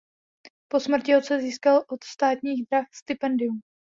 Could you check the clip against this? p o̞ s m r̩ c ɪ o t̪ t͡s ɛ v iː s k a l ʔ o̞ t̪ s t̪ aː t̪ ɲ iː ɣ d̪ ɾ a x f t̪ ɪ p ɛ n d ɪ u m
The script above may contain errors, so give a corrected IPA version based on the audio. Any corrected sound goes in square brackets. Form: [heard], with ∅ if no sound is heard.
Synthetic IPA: p o̞ s m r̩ c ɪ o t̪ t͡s ɛ [z] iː s k a l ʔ o̞ t̪ s t̪ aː t̪ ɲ iː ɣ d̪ ɾ a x [s] t̪ ɪ p ɛ n d ɪ u m